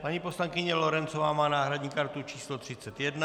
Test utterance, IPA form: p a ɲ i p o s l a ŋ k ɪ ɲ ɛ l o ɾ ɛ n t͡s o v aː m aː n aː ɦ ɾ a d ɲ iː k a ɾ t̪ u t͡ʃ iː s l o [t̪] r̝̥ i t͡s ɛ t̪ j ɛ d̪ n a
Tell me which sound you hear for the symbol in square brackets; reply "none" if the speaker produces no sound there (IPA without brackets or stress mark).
t̪